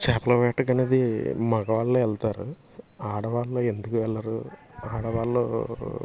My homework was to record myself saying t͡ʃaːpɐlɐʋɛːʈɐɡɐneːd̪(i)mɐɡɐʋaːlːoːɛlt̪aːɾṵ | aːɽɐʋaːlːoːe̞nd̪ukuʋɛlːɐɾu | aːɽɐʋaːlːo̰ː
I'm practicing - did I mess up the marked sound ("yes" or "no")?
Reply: no